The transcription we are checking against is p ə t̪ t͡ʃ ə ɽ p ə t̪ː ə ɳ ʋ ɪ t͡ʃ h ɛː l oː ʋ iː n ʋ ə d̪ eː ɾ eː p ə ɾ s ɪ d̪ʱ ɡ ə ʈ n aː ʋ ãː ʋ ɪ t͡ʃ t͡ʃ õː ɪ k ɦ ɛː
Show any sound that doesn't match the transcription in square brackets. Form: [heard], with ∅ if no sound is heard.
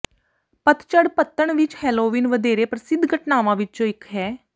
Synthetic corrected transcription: p ə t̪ t͡ʃ ə ɽ p ə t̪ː ə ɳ ʋ ɪ t͡ʃ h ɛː l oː ʋ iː n ʋ ə d̪ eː ɾ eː p ə ɾ s ɪ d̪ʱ ɡ ə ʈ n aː ʋ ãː ʋ ɪ t͡ʃ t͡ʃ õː ɪ k ɦ ɛː